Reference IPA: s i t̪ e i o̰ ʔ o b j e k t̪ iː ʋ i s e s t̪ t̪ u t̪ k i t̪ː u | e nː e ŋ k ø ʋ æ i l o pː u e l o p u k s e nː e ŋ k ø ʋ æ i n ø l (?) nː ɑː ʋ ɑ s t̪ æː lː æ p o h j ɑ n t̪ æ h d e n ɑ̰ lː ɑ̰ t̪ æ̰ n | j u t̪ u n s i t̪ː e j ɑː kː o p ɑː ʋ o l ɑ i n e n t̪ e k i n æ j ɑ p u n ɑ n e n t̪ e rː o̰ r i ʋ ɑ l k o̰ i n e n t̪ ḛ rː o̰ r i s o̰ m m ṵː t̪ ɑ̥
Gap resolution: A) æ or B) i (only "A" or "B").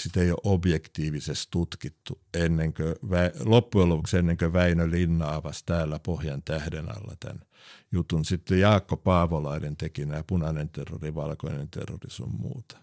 B